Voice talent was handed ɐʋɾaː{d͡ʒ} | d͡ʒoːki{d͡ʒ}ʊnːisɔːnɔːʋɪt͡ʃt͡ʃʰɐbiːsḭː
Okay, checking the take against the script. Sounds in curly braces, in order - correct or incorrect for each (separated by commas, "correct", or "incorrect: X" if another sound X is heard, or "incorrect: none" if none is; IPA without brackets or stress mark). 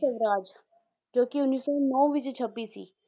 correct, incorrect: none